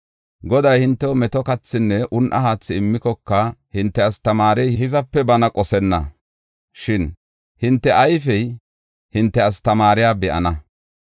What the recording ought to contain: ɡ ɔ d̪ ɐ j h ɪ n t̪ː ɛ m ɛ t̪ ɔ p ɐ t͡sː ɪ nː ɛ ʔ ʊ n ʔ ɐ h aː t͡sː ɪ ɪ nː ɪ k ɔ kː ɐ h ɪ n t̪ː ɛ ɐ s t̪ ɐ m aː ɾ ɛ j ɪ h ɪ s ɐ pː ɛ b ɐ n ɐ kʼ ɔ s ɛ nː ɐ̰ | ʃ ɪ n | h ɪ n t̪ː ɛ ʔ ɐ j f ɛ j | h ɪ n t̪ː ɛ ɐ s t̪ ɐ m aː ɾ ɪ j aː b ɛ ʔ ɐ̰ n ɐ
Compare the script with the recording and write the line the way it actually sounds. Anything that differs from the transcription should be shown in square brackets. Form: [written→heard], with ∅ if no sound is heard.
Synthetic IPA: ɡ ɔ d̪ ɐ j h ɪ n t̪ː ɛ m ɛ t̪ ɔ [p→k] ɐ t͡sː ɪ nː ɛ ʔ ʊ n ʔ ɐ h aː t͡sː ɪ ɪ [nː→mː] ɪ k ɔ kː ɐ h ɪ n t̪ː ɛ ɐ s t̪ ɐ m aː ɾ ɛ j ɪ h ɪ [s→z] ɐ pː ɛ b ɐ n ɐ kʼ ɔ s ɛ nː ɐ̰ | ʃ ɪ n | h ɪ n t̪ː ɛ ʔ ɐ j f ɛ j | h ɪ n t̪ː ɛ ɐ s t̪ ɐ m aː ɾ ɪ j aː b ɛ ʔ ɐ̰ n ɐ